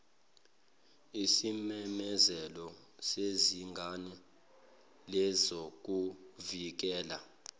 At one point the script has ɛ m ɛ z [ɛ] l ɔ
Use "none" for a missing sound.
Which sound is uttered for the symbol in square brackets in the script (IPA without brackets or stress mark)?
ɛ